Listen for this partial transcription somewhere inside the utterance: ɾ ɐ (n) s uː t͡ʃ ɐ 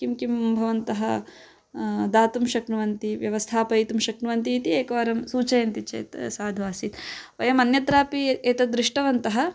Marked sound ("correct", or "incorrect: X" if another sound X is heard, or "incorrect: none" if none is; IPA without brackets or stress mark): incorrect: m